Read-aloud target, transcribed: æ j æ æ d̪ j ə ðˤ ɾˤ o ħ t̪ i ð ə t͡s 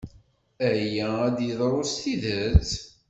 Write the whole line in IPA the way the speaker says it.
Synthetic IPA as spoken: æ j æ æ d̪ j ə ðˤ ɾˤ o s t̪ i ð ə t͡s